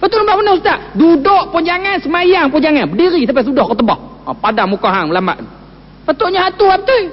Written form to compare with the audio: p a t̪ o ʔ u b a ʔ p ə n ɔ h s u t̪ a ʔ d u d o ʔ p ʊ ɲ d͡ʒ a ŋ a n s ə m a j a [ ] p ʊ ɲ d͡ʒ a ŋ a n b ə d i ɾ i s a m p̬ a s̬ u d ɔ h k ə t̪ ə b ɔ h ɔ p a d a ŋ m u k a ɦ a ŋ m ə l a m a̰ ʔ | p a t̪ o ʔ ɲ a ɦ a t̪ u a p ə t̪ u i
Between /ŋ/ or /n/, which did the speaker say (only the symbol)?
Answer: ŋ